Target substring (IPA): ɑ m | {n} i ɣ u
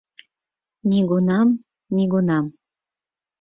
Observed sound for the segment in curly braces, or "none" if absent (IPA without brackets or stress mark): n